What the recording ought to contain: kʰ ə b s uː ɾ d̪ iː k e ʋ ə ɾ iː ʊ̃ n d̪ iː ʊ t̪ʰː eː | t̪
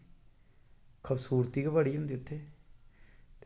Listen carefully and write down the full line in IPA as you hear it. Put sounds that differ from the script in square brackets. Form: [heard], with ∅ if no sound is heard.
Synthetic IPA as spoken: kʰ ə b s uː ɾ [t̪] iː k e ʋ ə [ɽ] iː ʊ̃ n d̪ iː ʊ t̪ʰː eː | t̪